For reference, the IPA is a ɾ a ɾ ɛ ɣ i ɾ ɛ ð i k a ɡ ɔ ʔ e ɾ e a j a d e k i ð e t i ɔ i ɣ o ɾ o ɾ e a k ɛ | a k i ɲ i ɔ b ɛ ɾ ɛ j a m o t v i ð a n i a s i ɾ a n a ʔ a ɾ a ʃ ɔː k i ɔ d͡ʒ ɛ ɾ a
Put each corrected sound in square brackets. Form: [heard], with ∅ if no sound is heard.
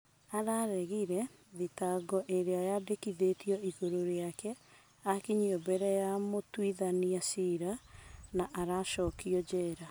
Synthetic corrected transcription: a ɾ a ɾ ɛ ɣ i ɾ ɛ ð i [t] a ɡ ɔ ʔ e ɾ e a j a d e k i ð e t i ɔ i ɣ o ɾ o ɾ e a k ɛ | a k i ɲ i ɔ b ɛ ɾ ɛ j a m o t [w] i ð a n i a s i ɾ a n a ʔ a ɾ a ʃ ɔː k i ɔ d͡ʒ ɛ ɾ a